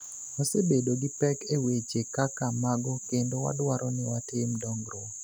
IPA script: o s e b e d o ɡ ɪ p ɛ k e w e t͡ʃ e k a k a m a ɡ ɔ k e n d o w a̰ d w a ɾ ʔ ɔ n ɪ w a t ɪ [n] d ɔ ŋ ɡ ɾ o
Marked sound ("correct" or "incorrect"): incorrect